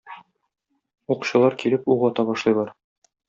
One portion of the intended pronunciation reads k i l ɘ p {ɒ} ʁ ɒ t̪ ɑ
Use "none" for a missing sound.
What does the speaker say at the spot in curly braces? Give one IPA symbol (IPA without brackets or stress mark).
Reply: u